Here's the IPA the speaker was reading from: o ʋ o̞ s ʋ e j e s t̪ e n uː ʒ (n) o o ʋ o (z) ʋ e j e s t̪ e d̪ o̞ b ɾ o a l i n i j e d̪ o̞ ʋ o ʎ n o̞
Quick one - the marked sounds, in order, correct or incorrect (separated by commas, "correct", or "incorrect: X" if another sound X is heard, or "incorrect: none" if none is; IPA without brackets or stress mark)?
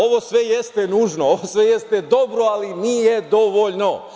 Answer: correct, incorrect: s